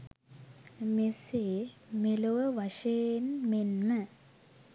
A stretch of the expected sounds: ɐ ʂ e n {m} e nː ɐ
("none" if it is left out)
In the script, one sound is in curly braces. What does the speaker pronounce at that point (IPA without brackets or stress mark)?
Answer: m